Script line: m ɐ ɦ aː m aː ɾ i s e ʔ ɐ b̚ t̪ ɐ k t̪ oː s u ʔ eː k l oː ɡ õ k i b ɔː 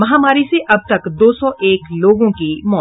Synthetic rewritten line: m ɐ ɦ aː m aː ɾ i s e ʔ ɐ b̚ t̪ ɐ k d̪ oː s ɔ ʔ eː k l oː ɡ õ k i m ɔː